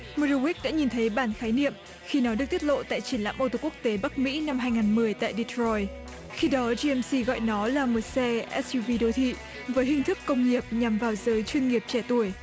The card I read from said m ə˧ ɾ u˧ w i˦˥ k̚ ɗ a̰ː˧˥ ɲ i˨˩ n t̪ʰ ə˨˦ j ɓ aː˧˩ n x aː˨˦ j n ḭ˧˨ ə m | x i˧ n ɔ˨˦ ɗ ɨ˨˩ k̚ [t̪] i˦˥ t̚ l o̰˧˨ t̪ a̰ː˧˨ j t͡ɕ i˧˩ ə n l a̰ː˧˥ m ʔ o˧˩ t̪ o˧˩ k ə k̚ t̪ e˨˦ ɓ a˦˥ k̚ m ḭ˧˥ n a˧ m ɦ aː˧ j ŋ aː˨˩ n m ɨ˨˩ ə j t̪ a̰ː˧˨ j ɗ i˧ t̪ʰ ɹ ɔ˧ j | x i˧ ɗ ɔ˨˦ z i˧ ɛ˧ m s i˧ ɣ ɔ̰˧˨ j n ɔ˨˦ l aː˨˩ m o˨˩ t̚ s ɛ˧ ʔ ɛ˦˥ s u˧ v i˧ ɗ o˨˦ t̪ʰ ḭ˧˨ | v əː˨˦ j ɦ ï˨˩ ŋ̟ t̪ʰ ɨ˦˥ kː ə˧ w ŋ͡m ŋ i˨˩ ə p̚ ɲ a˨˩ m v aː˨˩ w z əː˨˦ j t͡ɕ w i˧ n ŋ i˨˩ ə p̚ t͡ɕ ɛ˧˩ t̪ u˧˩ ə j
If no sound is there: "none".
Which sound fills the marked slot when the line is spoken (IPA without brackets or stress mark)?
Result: t̪